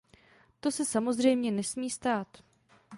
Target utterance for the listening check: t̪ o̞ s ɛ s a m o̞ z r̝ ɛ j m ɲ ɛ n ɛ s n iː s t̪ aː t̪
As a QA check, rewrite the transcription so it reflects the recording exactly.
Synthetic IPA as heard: t̪ o̞ s ɛ s a m o̞ z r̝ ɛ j m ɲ ɛ n ɛ s m iː s t̪ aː t̪

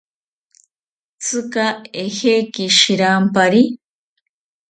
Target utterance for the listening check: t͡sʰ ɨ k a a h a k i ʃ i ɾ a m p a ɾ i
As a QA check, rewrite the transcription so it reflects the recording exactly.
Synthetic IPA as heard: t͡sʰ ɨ k a e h e k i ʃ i ɾ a m p a ɾ i

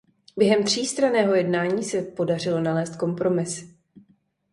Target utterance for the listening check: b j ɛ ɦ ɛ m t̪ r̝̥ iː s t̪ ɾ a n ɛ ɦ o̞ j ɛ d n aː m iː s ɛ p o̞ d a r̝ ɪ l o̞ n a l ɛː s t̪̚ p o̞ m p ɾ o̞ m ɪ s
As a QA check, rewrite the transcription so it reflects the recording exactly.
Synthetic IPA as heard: b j ɛ ɦ ɛ m t̪ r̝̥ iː s t̪ ɾ a n ɛː ɦ o̞ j ɛ d n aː ɲ iː s ɛ p o̞ d a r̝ ɪ l o̞ n a l ɛː s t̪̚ k o̞ m p ɾ o̞ m ɪ s

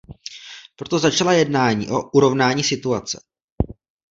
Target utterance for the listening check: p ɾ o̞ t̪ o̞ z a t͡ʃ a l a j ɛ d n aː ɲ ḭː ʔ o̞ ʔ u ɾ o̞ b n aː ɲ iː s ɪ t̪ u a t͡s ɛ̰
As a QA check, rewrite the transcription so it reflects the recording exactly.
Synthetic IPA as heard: p ɾ o̞ t̪ o̞ z a t͡ʃ a l a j ɛ d n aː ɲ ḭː ʔ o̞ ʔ u ɾ o̞ v n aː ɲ iː s ɪ t̪ u a t͡s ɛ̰

